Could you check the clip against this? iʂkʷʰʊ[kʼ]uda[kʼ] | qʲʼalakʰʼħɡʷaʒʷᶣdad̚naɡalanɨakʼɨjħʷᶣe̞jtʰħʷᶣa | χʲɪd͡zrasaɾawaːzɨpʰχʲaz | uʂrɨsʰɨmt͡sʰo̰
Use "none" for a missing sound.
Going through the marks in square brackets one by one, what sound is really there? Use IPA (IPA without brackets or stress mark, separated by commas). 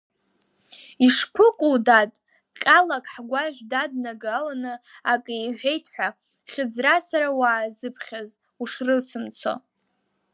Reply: kʼ, tʼ